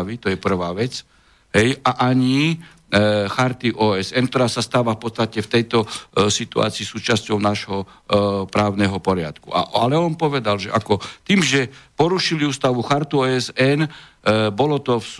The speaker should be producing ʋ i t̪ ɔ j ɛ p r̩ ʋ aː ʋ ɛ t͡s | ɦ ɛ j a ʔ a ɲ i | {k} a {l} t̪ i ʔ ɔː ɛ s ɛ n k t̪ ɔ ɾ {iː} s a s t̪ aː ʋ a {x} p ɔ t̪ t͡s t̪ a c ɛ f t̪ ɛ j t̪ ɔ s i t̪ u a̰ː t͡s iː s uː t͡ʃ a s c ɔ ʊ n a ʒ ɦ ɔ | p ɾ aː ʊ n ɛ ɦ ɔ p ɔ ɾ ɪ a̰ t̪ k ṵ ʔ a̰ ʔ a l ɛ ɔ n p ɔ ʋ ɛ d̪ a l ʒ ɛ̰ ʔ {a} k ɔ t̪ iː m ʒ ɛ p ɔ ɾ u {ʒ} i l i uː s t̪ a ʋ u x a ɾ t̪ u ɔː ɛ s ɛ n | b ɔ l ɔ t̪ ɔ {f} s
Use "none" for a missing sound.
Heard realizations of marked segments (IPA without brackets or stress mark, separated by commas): x, ɾ, aː, f, a, ʃ, f